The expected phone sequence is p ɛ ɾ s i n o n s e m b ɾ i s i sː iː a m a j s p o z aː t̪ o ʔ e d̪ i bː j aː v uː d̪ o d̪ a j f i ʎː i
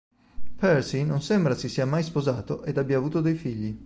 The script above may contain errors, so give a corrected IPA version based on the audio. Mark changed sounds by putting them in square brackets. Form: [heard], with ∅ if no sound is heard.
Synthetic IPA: p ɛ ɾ s i n o n s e m b ɾ [a] s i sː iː a m a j s p o z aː t̪ o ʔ e d̪ [a] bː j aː v uː [t̪] o d̪ [e] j f i ʎː i